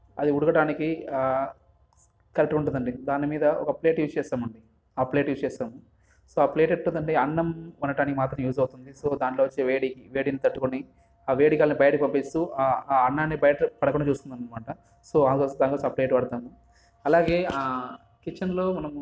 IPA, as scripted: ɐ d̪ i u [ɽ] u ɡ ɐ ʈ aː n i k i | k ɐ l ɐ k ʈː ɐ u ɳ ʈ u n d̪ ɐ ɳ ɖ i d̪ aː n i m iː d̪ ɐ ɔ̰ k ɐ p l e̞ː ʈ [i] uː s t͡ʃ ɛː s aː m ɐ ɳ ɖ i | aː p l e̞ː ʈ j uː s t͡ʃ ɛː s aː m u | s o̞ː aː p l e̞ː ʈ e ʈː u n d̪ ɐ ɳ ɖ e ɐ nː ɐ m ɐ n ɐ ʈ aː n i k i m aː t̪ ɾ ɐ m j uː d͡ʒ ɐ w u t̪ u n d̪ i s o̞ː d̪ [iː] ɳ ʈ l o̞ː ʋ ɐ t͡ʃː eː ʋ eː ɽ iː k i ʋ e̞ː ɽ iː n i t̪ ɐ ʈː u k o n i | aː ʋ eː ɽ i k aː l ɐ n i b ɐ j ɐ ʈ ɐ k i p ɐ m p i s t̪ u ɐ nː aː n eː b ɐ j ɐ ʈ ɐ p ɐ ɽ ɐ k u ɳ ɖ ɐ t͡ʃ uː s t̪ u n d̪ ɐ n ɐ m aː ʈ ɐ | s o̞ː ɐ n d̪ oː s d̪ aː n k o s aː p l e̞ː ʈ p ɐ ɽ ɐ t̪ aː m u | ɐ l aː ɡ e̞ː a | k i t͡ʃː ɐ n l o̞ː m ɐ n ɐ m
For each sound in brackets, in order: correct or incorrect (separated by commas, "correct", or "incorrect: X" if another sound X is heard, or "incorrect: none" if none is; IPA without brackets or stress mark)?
correct, incorrect: j, incorrect: aː